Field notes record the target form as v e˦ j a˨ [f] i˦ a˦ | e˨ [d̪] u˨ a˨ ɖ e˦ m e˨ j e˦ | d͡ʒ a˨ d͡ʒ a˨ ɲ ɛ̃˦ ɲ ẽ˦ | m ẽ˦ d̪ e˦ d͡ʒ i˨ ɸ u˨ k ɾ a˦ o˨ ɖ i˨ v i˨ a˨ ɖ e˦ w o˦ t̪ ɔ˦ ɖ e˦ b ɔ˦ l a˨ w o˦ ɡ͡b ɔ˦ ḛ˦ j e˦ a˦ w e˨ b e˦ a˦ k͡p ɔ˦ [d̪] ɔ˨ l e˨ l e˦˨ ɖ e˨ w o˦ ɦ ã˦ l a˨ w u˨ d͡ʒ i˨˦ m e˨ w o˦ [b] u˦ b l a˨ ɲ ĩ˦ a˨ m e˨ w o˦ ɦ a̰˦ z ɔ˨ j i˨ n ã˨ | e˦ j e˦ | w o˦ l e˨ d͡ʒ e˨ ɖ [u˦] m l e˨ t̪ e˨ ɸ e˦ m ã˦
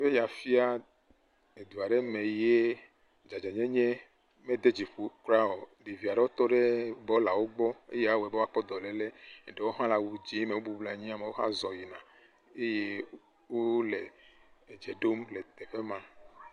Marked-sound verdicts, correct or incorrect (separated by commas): correct, correct, correct, correct, incorrect